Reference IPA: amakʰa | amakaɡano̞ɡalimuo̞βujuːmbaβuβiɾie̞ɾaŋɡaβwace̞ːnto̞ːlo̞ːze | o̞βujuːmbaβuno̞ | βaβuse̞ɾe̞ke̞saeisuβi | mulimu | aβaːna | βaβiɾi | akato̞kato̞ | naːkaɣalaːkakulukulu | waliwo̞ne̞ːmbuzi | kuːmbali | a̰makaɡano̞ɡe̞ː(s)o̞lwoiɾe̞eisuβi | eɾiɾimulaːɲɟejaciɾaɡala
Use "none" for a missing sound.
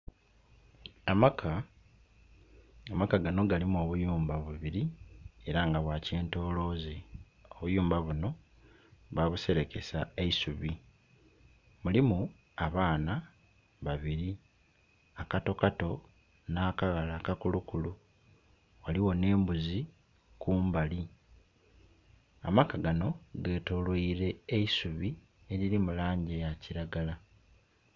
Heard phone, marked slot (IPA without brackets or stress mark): t